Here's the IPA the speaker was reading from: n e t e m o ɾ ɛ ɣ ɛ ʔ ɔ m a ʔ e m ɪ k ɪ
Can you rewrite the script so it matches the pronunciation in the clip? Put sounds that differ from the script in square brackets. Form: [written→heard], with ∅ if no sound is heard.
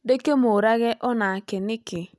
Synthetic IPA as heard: [n→d] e [t→k] e m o ɾ [ɛ→a] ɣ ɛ ʔ ɔ [m→n] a [ʔ→k] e [m→n] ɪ k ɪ